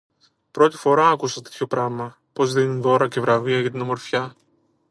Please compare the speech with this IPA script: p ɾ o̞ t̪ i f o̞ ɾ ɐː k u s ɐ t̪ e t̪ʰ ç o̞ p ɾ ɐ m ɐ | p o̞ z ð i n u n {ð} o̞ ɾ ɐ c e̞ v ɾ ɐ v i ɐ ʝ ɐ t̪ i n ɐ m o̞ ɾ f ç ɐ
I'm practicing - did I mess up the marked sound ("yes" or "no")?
no